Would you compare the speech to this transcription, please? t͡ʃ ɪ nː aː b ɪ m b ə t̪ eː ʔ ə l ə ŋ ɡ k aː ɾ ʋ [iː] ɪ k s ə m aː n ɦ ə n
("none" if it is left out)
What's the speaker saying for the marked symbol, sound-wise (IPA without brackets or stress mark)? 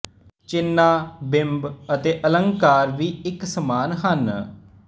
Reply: iː